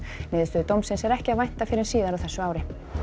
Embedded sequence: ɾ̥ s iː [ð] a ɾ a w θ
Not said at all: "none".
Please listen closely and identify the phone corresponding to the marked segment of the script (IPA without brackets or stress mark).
ð